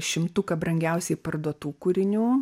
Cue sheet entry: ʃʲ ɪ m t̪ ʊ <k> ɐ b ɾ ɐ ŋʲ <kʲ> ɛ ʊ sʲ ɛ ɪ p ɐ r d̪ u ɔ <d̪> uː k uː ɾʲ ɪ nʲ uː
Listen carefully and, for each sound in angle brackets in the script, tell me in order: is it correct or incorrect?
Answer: correct, incorrect, incorrect

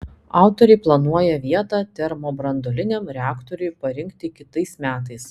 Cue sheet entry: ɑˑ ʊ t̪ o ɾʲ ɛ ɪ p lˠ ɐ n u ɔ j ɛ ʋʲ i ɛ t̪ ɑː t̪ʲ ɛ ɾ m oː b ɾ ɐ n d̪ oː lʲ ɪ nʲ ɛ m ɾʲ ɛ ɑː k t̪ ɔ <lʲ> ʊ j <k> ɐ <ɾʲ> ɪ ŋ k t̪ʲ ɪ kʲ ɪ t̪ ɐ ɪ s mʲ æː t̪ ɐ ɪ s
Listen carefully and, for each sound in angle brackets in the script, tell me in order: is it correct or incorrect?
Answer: incorrect, incorrect, correct

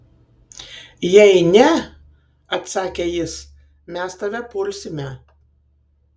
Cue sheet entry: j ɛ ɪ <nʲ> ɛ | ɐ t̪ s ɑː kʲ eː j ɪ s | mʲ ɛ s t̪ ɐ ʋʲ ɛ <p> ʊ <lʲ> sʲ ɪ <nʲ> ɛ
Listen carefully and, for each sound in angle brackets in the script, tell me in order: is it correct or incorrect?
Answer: correct, correct, correct, incorrect

